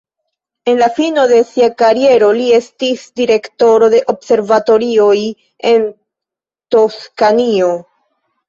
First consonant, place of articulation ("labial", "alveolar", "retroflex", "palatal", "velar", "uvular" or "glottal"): alveolar